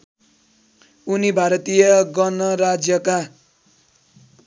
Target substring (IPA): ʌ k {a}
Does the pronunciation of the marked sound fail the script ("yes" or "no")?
no